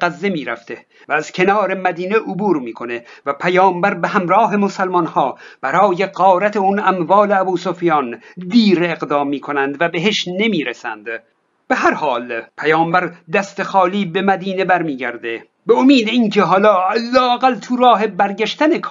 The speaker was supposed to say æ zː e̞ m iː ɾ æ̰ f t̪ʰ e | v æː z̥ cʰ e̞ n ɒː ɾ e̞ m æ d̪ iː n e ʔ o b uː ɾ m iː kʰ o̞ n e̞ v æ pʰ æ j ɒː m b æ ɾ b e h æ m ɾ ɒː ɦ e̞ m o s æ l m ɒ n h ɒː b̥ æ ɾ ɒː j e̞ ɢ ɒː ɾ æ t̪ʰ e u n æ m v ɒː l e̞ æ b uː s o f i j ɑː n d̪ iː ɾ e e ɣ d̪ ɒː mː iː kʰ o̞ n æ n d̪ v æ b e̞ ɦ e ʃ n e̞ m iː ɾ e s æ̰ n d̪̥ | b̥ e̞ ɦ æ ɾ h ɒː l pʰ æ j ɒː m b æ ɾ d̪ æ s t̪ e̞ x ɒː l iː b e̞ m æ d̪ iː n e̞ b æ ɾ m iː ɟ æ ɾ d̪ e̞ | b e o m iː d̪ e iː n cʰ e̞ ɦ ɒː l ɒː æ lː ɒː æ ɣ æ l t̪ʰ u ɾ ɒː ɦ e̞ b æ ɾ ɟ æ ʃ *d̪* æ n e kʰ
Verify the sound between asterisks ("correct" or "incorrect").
incorrect